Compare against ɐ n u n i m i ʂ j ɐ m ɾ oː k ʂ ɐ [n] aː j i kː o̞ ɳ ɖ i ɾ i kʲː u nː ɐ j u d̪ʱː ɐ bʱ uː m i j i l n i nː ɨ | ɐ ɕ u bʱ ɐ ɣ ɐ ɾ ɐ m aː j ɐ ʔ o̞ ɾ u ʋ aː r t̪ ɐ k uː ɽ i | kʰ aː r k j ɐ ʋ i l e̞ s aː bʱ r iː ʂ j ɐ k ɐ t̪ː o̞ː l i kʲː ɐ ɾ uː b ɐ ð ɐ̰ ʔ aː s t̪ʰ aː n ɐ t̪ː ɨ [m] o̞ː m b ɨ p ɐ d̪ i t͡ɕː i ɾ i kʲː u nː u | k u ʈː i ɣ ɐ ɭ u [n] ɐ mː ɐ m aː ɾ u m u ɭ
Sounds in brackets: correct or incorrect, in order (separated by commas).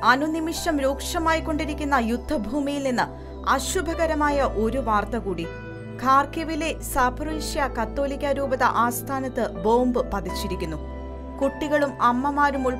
incorrect, incorrect, incorrect